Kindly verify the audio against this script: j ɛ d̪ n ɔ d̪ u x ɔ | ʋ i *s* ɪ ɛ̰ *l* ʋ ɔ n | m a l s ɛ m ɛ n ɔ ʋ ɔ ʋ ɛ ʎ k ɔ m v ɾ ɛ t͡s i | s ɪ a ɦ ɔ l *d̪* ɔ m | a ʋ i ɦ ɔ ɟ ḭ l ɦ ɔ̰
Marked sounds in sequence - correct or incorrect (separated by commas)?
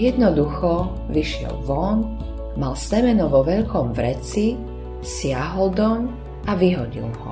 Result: incorrect, correct, correct